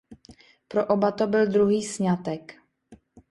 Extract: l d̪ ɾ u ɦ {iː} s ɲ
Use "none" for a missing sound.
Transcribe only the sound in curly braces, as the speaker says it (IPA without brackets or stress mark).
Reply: iː